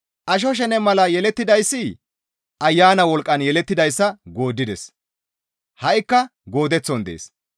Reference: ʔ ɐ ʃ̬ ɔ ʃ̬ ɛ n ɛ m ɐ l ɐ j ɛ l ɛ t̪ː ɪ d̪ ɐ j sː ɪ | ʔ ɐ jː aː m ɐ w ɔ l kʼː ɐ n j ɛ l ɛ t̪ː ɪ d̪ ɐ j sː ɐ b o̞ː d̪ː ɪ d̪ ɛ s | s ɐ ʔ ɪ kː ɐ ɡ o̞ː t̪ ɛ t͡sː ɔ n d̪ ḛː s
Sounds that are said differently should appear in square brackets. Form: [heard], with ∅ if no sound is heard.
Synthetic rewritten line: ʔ ɐ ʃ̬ ɔ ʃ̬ ɛ n ɛ m ɐ l ɐ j ɛ l ɛ t̪ː ɪ d̪ ɐ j sː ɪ | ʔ ɐ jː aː [n] ɐ w ɔ l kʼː ɐ n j ɛ l ɛ t̪ː ɪ d̪ ɐ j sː ɐ [ɡ] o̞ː d̪ː ɪ d̪ ɛ s | [h] ɐ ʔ ɪ kː ɐ ɡ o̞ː [d̪] ɛ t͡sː ɔ n d̪ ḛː s